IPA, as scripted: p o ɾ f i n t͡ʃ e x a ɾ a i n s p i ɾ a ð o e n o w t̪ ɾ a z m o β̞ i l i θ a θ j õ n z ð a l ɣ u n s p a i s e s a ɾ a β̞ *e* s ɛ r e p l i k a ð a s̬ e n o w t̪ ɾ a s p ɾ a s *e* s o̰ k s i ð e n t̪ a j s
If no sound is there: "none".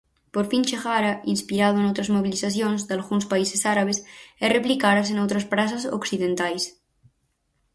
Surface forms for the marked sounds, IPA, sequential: e, a

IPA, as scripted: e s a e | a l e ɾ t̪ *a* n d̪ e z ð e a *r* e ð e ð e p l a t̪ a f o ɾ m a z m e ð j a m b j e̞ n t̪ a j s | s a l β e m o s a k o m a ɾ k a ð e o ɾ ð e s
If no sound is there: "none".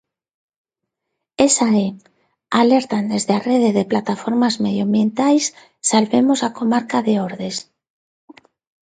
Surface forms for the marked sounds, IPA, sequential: a, r

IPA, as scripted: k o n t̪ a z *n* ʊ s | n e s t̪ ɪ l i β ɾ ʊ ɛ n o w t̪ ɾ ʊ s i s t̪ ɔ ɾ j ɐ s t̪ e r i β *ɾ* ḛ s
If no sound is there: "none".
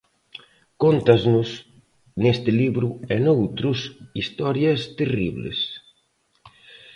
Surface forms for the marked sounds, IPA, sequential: n, l

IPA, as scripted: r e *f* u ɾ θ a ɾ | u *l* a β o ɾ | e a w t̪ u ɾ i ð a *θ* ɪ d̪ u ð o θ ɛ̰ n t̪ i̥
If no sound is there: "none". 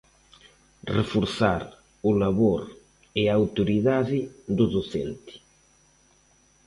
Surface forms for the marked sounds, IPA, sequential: f, l, ð

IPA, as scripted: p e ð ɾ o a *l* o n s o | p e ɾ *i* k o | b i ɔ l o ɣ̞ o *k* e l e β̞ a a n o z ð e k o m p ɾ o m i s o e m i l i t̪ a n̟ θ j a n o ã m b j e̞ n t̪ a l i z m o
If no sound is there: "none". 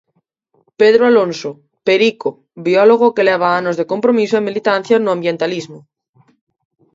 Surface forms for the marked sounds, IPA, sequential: l, i, k

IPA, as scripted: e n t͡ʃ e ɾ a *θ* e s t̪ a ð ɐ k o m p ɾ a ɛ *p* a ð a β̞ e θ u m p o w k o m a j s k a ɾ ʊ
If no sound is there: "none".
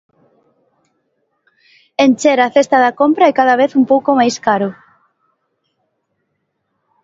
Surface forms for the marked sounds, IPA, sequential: θ, k

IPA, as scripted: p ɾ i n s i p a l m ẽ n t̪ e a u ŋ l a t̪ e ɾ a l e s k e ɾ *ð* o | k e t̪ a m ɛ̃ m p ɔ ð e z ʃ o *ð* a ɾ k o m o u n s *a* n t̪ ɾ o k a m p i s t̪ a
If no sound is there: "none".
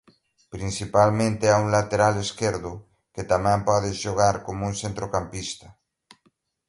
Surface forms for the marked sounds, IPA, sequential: ð, ɣ, e

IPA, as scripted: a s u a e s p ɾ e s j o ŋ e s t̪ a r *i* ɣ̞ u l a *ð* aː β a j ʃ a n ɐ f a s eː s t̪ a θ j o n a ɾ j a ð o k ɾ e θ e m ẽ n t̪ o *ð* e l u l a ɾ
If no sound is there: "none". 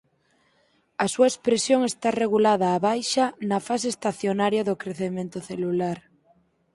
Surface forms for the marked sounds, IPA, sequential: e, ð, θ

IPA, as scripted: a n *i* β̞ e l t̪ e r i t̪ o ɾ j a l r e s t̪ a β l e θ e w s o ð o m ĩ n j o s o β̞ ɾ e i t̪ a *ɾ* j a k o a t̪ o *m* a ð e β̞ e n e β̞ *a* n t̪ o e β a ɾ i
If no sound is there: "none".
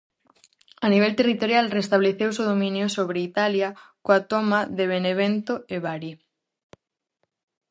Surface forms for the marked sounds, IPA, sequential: i, l, m, e

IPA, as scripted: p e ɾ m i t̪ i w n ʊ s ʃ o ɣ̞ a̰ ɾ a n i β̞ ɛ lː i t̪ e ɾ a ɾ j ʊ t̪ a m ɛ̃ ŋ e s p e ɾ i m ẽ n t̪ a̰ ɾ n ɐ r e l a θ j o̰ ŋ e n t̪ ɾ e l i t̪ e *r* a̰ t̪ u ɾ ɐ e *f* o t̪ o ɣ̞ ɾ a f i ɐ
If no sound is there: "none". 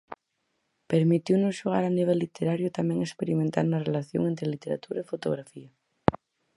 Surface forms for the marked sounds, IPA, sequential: ɾ, f

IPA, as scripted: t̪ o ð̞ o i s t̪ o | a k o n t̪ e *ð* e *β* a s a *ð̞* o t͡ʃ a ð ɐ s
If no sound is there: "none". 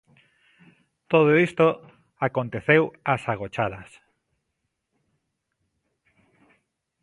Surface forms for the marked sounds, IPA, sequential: θ, w, ɣ̞

